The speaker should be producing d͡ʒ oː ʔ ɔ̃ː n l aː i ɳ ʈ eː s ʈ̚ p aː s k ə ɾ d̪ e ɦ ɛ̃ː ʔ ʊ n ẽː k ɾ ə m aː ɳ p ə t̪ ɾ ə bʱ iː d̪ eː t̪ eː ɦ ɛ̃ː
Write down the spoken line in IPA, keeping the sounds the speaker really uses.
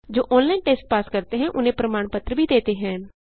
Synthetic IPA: d͡ʒ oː ʔ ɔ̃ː n l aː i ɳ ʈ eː s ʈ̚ p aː s k ə ɾ t̪ e ɦ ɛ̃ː ʔ ʊ n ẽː p ɾ ə m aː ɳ p ə t̪ ɾ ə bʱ iː d̪ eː t̪ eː ɦ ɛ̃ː